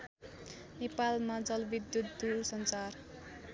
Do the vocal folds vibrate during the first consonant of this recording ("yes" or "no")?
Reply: yes